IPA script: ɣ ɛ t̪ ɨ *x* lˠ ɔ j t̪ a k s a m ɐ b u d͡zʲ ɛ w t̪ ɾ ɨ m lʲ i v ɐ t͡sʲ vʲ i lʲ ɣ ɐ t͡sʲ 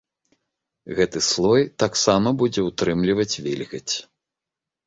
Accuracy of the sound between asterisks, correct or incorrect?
incorrect